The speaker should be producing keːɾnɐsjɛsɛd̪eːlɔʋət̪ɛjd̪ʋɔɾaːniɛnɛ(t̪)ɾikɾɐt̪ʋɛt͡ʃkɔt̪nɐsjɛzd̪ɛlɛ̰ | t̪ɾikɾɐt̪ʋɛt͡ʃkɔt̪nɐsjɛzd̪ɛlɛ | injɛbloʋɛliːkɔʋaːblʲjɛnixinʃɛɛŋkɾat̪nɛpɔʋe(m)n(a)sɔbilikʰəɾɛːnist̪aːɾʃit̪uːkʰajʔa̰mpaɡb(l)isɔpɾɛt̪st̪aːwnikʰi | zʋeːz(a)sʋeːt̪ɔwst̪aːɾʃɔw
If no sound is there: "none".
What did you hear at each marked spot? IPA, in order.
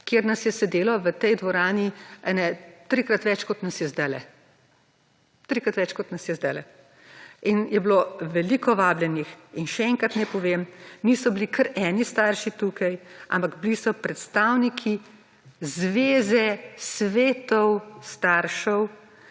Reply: t̪, m, i, l, ɛ

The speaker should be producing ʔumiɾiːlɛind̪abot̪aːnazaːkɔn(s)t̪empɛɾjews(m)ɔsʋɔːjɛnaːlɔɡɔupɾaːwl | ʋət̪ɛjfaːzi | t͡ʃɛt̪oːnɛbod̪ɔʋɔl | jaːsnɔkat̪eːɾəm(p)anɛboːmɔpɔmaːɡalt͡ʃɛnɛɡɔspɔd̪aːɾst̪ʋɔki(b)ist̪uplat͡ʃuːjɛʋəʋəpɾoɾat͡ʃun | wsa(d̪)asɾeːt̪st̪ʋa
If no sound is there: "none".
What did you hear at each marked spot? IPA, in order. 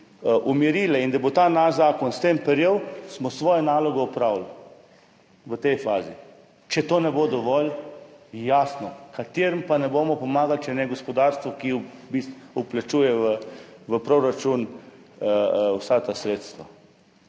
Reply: s, m, p, b, t̪

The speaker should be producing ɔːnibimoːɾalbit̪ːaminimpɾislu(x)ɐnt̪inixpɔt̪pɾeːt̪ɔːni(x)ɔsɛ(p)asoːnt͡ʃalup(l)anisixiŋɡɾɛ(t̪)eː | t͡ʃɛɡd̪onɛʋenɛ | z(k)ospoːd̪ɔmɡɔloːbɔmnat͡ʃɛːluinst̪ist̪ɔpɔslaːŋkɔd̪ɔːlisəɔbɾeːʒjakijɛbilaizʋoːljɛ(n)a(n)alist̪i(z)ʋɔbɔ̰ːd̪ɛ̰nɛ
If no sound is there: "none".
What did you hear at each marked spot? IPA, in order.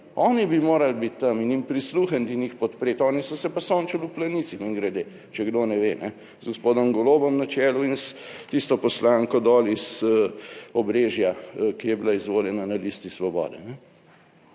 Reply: x, s, p, l, d̪, ɡ, n, n, s

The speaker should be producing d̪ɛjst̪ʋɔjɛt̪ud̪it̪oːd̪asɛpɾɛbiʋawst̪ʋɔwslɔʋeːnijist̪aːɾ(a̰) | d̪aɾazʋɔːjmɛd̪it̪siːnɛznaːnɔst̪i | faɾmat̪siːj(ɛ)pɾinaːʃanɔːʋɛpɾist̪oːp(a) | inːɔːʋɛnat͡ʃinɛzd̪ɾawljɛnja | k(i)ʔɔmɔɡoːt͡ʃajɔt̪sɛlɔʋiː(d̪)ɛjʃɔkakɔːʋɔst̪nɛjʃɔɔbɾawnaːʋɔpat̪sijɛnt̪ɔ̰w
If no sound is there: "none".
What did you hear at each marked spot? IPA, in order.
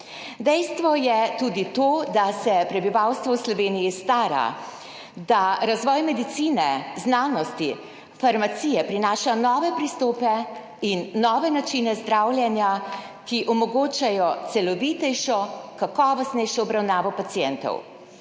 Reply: a̰, ɛ, ɛ, i, t̪

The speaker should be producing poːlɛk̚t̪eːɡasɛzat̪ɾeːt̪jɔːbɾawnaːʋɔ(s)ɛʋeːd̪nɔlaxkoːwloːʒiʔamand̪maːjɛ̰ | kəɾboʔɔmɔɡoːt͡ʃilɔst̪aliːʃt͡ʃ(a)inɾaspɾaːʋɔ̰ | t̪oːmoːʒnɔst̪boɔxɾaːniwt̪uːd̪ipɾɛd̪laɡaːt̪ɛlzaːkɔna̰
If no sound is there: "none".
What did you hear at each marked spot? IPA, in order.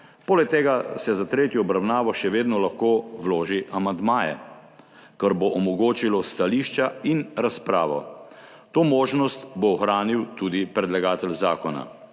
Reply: ʃ, a

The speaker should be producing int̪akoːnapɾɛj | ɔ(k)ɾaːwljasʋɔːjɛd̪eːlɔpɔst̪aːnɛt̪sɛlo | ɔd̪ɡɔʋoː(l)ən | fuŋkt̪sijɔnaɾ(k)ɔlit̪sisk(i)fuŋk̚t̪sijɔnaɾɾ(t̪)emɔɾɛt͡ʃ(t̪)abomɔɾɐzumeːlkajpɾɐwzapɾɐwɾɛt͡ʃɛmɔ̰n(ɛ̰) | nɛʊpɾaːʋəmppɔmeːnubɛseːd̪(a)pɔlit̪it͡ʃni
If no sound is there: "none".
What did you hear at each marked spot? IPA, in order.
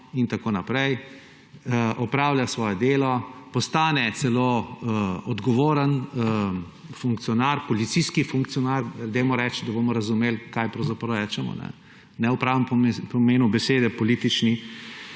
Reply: p, ɾ, p, i, d̪, d̪, ɛ̰, ɛ

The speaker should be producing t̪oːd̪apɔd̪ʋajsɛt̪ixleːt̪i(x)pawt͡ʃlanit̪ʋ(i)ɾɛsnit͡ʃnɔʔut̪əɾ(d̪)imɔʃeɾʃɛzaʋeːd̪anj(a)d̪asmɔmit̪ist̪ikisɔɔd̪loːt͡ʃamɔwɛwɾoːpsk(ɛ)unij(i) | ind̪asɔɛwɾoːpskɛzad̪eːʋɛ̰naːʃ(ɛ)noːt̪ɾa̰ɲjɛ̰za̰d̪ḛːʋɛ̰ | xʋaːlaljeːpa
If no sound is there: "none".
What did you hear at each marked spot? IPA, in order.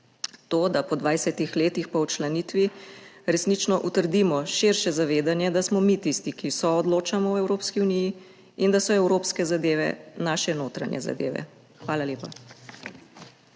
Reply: x, i, d̪, ɛ, i, i, ɛ

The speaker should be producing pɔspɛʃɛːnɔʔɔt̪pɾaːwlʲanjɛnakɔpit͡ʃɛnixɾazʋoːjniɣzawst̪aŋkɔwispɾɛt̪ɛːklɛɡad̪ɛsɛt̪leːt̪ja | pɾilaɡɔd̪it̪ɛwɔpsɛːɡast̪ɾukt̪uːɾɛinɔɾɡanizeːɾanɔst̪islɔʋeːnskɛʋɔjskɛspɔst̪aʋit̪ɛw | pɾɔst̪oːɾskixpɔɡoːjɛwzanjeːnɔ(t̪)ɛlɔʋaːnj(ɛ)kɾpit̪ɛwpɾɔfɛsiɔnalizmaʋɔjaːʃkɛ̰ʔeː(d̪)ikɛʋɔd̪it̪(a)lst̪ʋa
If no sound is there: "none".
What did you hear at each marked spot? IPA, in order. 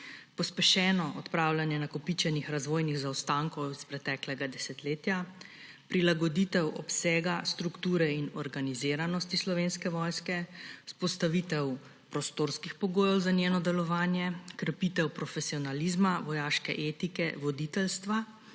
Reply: d̪, ɛ, t̪, ɛ

